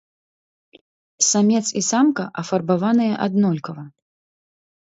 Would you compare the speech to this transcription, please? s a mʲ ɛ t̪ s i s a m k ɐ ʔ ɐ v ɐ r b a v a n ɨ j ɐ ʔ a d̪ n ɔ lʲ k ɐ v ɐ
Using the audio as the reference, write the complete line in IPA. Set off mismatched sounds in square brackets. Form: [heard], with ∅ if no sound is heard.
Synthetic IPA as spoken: s a mʲ ɛ t̪ s i s a m k ɐ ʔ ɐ [f] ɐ r b a v a n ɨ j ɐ ʔ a d̪ n ɔ lʲ k ɐ v ɐ